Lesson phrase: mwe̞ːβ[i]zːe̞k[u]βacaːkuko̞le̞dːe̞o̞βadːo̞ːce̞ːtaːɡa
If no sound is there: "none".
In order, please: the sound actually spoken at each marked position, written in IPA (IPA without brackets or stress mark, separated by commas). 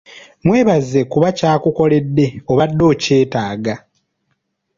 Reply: a, u